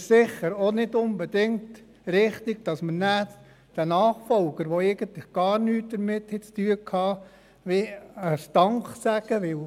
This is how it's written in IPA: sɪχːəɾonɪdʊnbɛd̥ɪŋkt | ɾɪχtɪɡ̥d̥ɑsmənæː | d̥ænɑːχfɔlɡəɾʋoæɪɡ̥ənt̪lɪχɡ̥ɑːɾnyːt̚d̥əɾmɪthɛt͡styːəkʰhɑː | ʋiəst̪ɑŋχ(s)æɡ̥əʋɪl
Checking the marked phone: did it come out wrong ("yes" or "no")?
no